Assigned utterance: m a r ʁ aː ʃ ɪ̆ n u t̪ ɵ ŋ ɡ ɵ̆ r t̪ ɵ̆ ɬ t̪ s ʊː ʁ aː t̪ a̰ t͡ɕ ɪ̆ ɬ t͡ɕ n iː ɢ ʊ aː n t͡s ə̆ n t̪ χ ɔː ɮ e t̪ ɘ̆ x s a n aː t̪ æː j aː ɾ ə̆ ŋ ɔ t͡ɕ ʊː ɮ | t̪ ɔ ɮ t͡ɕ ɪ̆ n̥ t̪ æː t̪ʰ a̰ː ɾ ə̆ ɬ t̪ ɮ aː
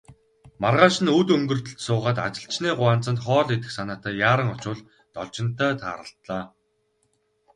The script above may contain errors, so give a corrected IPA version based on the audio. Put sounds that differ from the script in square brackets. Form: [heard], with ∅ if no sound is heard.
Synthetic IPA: m a r ʁ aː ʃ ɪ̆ n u t̪ ɵ ŋ ɡ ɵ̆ r t̪ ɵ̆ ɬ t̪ s ʊː ʁ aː t̪ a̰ t͡ɕ ɪ̆ ɬ t͡ɕ n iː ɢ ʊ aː n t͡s ə̆ n t̪ χ ɔː ɮ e t̪ ɘ̆ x s a n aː t̪ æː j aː ɾ ə̆ ŋ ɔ t͡ɕ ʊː ɮ | t̪ ɔ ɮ t͡ɕ ɪ̆ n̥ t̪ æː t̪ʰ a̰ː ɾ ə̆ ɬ t̪ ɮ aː